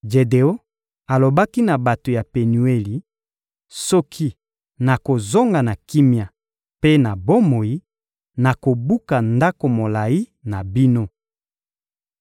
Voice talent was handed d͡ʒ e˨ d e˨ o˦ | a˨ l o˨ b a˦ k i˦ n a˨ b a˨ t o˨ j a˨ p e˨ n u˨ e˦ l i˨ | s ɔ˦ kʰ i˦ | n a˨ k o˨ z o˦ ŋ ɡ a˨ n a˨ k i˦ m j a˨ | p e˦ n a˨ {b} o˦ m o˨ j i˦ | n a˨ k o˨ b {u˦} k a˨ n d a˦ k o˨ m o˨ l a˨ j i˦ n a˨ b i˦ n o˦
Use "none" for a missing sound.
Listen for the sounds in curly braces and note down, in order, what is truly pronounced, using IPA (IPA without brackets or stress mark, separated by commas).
b, u˦